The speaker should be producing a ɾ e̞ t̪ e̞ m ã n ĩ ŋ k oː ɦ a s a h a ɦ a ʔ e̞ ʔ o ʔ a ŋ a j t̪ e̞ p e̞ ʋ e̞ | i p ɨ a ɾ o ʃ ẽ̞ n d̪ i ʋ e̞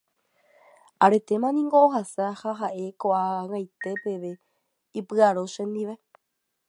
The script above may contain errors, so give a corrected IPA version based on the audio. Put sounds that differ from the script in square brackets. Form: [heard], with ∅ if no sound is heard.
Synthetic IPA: a ɾ e̞ t̪ e̞ m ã n ĩ ŋ [ɡ] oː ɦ a s a h a ɦ a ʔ e̞ [k] o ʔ a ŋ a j t̪ e̞ p e̞ ʋ e̞ | i p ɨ a ɾ o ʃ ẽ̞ n d̪ i ʋ e̞